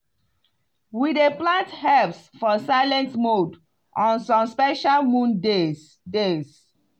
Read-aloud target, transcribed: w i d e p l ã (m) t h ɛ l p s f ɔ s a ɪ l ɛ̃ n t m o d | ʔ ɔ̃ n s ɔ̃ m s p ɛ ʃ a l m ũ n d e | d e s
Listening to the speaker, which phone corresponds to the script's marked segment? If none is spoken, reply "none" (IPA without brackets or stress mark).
n